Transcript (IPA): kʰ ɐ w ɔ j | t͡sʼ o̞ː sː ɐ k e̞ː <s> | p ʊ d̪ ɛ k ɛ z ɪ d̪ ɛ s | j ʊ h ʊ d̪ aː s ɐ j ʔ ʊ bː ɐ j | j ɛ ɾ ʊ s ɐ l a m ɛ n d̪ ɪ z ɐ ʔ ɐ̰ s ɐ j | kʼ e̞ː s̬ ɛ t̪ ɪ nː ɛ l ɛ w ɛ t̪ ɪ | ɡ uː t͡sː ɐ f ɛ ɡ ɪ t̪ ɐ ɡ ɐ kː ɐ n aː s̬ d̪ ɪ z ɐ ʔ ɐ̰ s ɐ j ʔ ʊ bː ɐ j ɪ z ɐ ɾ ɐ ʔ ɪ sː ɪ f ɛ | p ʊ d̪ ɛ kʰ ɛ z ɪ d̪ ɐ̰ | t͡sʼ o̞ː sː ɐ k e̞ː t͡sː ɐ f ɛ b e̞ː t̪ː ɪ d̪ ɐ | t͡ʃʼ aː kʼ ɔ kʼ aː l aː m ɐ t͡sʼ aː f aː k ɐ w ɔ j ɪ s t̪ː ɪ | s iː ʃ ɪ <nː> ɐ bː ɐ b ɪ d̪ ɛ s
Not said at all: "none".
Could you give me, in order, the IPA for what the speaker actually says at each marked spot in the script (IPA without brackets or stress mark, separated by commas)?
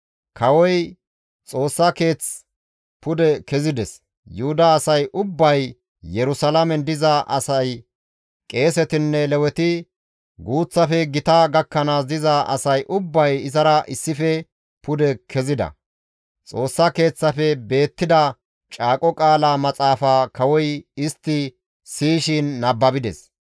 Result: t͡s, nː